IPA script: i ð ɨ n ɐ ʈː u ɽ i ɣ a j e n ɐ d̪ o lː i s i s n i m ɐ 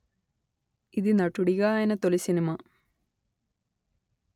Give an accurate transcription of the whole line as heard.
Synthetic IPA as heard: i ð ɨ n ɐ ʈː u ɽ i ɣ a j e n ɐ t̪ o l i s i n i m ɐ

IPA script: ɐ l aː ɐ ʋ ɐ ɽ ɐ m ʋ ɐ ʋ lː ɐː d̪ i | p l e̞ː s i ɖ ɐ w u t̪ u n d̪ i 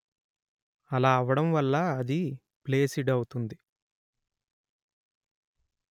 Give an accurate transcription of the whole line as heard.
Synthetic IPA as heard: ɐ l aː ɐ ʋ ɐ ɽ ɐ m ʋ ɐ lː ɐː d̪ i | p l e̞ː s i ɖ ɐ w u t̪ u n d̪ i

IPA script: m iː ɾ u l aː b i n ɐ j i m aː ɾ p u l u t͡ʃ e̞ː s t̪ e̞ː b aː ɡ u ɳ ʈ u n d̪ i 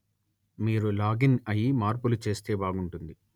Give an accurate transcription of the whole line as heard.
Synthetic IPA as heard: m iː ɾ u l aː ɡ i n ɐ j i m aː ɾ p u l u t͡ʃ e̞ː s t̪ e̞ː b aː ɡ u ɳ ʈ u n d̪ i

